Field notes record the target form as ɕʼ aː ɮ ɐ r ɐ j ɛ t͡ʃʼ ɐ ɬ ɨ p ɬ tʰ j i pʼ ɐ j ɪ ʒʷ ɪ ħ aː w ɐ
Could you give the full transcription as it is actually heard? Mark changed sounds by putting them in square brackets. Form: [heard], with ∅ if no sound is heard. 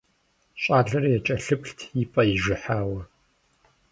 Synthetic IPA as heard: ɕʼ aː ɮ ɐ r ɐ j ɛ t͡ʃʼ ɐ ɬ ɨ p ɬ tʰ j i pʼ ɐ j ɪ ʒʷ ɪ ħ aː w ɐ